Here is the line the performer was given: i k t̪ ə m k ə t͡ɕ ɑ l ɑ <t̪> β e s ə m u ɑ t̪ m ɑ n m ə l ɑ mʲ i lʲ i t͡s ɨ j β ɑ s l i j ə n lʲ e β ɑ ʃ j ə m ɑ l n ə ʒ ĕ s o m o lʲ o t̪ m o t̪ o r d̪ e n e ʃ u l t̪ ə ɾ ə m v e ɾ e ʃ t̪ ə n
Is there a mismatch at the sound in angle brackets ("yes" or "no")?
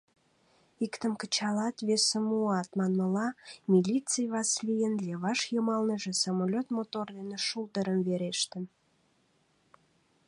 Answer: no